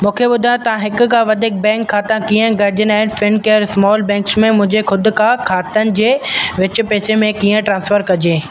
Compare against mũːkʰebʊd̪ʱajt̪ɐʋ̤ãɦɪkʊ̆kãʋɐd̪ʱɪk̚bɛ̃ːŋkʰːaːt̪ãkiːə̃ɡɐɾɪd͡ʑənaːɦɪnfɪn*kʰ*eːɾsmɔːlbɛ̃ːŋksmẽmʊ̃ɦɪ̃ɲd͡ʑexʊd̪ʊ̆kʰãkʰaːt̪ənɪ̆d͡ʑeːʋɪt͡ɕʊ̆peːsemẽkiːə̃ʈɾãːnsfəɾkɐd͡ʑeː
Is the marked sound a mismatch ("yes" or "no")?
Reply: yes